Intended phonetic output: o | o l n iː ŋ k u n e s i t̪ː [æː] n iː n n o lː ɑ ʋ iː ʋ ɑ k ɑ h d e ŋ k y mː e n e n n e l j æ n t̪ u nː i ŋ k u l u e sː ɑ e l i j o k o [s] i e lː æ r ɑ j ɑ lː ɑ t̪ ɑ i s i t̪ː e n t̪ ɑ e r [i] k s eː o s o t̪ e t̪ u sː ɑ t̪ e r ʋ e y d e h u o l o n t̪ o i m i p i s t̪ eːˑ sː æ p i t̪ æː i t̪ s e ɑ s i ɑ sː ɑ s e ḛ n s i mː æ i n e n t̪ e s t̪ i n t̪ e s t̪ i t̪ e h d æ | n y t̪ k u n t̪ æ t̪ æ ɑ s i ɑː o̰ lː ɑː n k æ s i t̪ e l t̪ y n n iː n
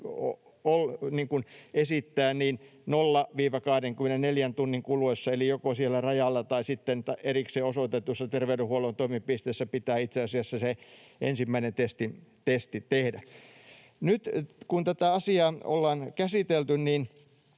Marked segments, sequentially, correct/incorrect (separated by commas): correct, correct, correct